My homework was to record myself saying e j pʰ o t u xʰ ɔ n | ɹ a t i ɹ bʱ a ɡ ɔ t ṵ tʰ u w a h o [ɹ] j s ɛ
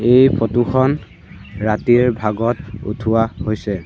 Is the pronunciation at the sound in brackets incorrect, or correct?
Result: incorrect